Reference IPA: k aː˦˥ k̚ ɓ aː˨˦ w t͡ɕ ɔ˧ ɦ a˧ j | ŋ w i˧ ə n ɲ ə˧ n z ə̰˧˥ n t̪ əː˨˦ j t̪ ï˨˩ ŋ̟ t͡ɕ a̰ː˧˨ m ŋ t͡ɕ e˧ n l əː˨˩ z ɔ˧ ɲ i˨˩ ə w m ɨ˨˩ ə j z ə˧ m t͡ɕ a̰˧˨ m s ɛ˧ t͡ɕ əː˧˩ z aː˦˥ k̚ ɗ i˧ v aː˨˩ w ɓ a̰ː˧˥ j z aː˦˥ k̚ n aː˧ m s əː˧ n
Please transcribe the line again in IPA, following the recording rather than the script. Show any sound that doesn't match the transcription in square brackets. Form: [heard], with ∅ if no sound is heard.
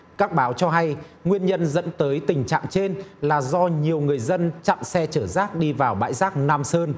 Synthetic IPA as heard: k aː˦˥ k̚ ɓ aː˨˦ w t͡ɕ ɔ˧ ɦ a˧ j | ŋ w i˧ ə n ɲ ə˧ n z ə̰˧˥ n t̪ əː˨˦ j t̪ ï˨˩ ŋ̟ t͡ɕ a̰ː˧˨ [∅] ŋ t͡ɕ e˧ n l [aː˨˩] z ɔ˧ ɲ i˨˩ ə w [ŋ] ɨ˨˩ ə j z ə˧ [n] t͡ɕ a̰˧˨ m s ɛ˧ t͡ɕ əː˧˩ z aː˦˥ k̚ ɗ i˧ v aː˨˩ w ɓ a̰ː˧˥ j z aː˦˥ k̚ n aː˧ m s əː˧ n